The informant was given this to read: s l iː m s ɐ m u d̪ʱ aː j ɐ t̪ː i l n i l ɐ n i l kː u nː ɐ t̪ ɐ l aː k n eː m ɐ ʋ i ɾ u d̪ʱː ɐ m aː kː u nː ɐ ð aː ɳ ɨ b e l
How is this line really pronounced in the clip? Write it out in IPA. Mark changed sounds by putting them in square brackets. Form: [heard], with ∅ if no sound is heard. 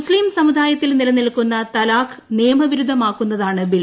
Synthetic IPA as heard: s l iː m s ɐ m u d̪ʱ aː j ɐ t̪ː i l n i l ɐ n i l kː u nː ɐ t̪ ɐ l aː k n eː m ɐ ʋ i ɾ u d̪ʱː ɐ m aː kː u nː ɐ ð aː ɳ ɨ b [i] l